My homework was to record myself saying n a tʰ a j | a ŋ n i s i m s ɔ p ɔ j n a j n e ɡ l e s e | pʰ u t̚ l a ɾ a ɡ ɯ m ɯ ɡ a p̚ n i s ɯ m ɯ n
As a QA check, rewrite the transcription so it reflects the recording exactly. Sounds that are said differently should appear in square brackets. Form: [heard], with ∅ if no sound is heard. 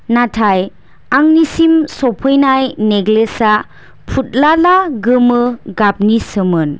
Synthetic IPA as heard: n a tʰ a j | a ŋ n i s i m s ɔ [pʰ] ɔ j n a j n e ɡ l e s [a] | pʰ u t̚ l a [l] a ɡ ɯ m ɯ ɡ a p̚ n i s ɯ m ɯ n